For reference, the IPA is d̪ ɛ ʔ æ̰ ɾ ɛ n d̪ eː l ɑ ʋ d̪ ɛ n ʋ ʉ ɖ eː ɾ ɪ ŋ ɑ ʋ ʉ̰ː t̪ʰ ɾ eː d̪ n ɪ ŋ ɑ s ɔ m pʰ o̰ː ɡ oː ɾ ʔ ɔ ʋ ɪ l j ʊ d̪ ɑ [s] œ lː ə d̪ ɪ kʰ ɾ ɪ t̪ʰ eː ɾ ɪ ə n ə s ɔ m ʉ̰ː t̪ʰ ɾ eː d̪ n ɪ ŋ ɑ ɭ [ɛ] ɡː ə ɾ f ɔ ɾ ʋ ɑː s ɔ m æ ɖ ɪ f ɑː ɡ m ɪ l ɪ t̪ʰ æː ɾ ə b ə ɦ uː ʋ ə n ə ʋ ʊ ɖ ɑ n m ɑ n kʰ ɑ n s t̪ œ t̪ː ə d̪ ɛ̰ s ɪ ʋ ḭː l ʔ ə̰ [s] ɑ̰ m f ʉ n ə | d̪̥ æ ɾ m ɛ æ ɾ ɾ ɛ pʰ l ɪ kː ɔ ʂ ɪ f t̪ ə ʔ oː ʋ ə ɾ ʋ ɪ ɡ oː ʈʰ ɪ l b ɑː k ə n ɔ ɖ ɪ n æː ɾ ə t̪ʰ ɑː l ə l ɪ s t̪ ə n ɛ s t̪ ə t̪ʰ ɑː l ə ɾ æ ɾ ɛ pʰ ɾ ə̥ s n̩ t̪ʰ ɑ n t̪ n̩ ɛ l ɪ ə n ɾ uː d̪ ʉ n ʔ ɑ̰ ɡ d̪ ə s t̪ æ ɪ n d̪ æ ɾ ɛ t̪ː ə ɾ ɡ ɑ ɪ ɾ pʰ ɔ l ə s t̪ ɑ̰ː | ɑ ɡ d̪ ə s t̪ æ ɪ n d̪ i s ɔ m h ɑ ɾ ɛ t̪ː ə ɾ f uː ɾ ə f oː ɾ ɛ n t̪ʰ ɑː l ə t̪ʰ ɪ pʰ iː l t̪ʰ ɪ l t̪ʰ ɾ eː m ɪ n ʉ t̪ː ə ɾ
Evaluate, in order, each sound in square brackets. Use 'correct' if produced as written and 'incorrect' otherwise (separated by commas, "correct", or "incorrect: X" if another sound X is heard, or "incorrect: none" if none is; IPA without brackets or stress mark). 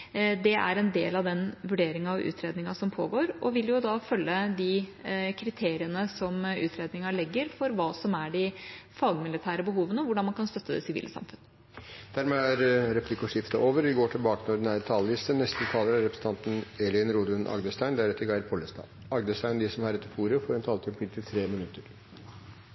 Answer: incorrect: f, correct, correct